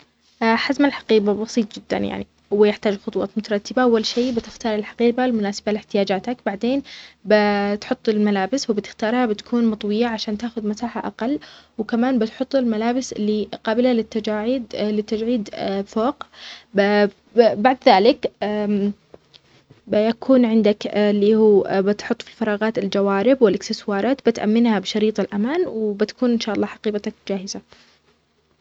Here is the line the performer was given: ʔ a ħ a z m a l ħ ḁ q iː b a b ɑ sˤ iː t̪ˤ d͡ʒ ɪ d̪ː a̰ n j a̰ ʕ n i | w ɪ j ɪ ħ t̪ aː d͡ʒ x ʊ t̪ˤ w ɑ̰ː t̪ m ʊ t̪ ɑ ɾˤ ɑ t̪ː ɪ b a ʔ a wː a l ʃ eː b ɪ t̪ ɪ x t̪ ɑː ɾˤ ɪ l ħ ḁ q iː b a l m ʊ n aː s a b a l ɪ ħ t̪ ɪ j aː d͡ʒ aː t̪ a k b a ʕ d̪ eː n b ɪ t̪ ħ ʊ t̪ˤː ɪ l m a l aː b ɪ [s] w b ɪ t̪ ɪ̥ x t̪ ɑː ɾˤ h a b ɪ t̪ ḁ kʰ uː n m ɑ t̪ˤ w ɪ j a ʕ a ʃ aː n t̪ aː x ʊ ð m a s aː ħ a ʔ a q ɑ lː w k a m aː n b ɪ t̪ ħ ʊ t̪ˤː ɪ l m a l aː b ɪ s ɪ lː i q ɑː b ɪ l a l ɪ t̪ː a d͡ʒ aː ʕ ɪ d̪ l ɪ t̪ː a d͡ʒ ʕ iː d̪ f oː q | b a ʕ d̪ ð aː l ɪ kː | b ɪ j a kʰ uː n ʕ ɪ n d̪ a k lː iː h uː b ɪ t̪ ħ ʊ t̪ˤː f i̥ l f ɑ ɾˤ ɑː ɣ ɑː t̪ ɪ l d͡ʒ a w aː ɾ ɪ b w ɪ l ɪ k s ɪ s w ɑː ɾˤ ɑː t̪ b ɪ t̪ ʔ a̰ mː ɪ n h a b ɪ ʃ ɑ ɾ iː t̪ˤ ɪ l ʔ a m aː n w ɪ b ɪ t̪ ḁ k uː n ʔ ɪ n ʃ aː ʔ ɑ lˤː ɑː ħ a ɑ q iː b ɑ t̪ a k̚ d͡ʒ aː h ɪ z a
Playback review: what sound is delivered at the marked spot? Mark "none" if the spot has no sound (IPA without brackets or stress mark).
s